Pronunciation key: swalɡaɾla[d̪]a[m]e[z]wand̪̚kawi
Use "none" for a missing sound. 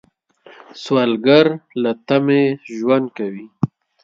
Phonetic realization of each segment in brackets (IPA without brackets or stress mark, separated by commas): t̪, m, ʒ